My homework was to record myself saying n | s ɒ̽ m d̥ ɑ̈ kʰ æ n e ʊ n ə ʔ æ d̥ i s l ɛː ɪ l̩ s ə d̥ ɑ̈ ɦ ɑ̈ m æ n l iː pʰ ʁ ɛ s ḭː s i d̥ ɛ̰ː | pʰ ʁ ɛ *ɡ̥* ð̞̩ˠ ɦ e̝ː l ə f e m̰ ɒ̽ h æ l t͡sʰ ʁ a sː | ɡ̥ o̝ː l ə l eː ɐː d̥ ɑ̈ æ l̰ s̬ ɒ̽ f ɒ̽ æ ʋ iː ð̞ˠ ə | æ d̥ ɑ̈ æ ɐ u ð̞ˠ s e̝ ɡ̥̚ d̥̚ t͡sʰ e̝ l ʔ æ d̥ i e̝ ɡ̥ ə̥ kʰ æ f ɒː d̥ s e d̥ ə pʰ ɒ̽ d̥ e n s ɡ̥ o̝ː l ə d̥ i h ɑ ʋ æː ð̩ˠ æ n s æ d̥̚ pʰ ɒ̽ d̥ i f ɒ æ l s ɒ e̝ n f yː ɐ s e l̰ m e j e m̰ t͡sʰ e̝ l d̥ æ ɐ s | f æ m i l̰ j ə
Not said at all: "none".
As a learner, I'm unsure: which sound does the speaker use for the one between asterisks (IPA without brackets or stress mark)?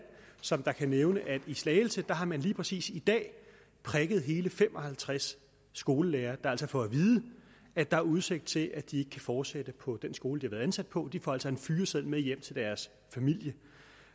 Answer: ɡ̥